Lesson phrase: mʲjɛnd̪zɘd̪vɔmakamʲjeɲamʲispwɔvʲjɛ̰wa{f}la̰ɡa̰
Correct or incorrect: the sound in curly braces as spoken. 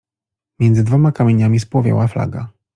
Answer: correct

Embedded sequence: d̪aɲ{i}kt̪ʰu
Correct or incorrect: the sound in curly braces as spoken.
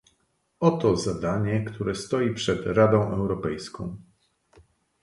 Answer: incorrect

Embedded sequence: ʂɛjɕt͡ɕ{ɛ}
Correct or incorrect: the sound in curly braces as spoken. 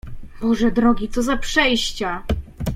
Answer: incorrect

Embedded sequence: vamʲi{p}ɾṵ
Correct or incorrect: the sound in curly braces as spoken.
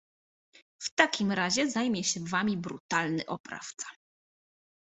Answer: incorrect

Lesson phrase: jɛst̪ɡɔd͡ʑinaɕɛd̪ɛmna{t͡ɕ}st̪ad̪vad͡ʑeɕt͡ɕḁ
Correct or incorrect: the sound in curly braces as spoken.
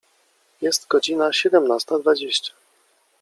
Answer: incorrect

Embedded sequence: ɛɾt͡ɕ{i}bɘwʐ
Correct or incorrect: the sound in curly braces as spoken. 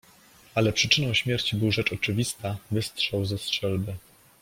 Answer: correct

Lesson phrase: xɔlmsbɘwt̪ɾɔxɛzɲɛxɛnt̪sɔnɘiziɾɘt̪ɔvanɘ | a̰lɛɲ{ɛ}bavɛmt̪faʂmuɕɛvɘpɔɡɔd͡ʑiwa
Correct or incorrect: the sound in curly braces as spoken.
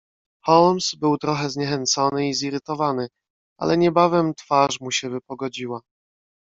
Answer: correct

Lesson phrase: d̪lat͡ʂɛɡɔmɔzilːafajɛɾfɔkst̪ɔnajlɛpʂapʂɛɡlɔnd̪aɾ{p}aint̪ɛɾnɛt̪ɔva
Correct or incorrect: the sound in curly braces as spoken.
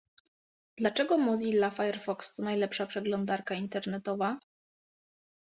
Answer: incorrect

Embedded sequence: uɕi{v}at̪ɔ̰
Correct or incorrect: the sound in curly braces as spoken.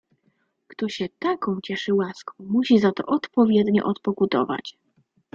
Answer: incorrect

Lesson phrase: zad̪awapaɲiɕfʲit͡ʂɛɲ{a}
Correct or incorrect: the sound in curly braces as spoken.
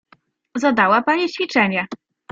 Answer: incorrect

